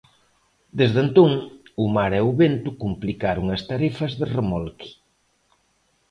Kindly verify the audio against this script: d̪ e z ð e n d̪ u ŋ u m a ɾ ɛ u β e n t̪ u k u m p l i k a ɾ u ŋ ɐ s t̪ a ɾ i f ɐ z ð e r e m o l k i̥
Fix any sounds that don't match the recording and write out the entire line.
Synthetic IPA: d̪ e z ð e n t̪ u ŋ u m a ɾ ɛ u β e n t̪ u k u m p l i k a ɾ u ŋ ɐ s t̪ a ɾ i f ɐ z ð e r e m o l k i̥